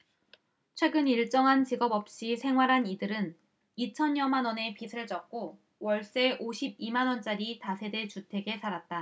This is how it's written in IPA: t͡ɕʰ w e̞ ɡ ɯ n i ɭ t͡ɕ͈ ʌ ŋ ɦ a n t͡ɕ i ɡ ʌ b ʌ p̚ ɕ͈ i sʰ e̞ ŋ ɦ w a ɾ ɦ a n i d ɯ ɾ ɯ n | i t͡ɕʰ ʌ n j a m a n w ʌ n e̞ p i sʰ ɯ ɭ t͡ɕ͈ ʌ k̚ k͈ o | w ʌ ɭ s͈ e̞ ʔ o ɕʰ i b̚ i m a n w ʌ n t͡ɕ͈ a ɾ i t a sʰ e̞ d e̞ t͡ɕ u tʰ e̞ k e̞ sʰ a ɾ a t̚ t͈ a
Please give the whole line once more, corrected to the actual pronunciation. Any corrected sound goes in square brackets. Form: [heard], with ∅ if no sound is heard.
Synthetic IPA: t͡ɕʰ w e̞ ɡ ɯ n i ɭ t͡ɕ͈ ʌ ŋ ɦ a n t͡ɕ i ɡ ʌ b ʌ p̚ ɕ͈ i sʰ e̞ ŋ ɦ w a ɾ ɦ a n i d ɯ ɾ ɯ n | i t͡ɕʰ ʌ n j [ʌ] m a n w ʌ n e̞ p i sʰ ɯ ɭ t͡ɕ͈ ʌ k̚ k͈ o | w ʌ ɭ s͈ e̞ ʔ o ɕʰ i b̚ i m a n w ʌ n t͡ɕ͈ a ɾ i t a sʰ e̞ d e̞ t͡ɕ u tʰ e̞ [ɡ] e̞ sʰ a ɾ a t̚ t͈ a